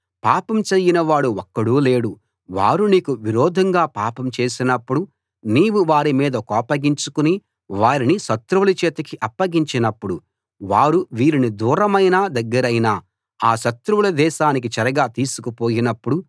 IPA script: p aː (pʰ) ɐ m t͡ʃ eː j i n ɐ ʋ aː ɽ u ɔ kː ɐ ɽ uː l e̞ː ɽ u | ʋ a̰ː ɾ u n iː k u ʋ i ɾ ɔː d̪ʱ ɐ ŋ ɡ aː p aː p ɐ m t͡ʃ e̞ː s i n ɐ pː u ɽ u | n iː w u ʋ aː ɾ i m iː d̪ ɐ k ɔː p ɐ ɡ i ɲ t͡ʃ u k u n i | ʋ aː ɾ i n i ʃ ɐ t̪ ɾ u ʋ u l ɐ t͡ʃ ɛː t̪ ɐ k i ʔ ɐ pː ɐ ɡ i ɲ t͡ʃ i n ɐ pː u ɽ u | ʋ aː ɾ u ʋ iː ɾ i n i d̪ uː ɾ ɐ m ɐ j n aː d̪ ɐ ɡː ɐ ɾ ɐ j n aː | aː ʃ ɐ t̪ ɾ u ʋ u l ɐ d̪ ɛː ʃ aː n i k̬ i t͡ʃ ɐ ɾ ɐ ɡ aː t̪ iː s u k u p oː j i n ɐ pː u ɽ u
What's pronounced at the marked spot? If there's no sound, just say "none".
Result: p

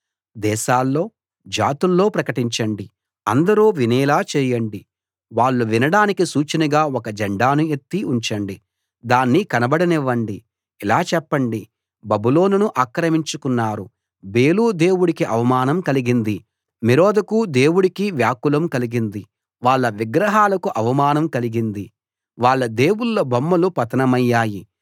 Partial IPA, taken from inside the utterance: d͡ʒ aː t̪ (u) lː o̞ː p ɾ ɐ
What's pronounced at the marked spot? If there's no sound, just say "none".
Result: u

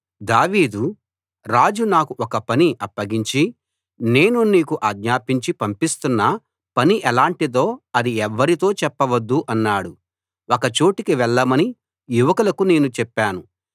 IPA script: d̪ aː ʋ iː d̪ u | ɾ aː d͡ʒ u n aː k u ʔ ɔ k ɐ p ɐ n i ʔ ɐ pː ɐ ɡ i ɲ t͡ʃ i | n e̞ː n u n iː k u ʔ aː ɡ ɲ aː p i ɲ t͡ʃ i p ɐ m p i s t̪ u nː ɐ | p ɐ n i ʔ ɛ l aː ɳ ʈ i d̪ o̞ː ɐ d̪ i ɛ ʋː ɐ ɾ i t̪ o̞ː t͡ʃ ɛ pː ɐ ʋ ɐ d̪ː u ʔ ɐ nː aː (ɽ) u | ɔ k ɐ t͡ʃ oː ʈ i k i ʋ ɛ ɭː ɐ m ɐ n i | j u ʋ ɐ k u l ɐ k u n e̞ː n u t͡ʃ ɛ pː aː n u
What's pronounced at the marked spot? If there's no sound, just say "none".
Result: ɽ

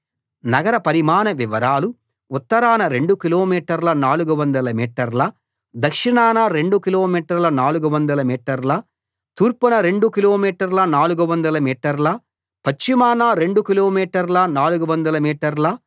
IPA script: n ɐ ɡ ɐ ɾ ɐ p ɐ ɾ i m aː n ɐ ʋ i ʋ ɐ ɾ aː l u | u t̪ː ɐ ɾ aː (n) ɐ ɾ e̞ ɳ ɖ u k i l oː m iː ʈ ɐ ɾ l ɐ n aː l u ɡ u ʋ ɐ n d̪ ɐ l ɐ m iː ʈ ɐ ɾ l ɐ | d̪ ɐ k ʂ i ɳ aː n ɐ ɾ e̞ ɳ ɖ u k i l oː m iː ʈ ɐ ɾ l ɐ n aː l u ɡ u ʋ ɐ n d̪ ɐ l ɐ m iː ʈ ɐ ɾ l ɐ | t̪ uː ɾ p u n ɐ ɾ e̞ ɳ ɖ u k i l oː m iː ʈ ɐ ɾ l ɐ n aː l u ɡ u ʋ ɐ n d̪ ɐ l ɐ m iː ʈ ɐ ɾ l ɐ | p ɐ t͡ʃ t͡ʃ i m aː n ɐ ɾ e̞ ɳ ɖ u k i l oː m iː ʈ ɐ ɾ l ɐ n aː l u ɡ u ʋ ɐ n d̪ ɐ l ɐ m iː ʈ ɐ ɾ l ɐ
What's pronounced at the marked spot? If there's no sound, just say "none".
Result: n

